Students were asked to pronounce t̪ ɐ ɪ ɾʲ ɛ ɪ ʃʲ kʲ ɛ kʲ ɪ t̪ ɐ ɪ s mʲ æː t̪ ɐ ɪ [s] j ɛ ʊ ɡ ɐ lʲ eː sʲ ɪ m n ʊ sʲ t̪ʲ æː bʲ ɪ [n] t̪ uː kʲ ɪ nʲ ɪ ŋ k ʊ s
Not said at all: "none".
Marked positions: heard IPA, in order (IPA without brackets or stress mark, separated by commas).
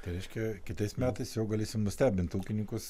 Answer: s, n